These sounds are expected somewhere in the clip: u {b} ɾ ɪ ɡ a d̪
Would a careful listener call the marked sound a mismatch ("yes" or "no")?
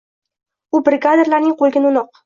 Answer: no